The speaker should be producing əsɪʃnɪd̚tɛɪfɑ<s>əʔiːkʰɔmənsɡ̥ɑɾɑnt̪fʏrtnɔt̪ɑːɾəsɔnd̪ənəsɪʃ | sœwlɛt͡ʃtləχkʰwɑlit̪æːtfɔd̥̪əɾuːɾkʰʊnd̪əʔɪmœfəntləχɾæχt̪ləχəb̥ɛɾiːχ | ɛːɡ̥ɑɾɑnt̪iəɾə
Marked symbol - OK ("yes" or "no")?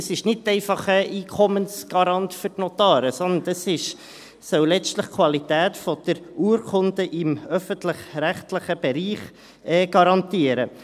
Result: no